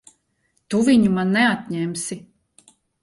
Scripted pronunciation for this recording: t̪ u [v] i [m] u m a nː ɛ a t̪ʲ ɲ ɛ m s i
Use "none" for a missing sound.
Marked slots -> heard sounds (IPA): v, ɲ

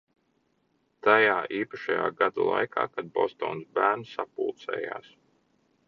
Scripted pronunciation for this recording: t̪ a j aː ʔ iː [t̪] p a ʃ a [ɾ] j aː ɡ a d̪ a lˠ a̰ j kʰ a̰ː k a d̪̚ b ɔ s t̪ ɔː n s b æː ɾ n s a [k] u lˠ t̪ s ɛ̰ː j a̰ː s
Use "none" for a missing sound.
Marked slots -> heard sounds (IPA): none, none, p

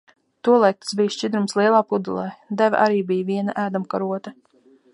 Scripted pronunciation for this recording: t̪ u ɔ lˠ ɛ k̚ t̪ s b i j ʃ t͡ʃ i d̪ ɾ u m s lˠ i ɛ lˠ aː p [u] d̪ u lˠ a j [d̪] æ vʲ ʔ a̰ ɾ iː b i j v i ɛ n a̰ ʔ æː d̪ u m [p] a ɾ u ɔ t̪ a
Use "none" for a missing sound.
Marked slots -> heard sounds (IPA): u, d̪, k

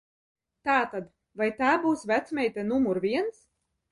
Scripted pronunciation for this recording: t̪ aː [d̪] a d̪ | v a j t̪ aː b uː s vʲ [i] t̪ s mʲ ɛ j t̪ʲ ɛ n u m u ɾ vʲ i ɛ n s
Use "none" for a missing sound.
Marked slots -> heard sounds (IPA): t̪, æ

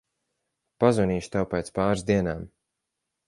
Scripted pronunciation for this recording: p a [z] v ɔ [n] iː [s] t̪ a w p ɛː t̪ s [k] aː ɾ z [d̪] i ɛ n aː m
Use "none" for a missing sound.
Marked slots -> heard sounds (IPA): z, n, ʃ, p, d̪

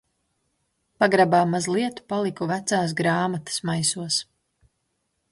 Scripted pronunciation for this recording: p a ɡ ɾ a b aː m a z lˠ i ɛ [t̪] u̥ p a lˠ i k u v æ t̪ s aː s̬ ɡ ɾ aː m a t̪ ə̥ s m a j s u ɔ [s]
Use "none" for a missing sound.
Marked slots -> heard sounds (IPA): t̪, s

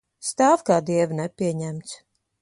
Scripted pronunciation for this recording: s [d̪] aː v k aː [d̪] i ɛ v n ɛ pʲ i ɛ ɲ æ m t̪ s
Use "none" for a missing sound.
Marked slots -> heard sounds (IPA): t̪, d̪

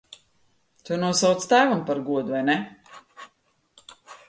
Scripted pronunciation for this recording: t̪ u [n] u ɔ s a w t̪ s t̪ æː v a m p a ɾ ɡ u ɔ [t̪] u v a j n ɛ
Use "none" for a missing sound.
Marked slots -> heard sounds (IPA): n, d̪

